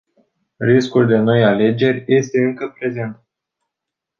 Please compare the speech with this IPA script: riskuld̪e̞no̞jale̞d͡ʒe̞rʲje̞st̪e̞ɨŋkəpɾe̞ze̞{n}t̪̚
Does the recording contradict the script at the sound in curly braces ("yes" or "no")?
no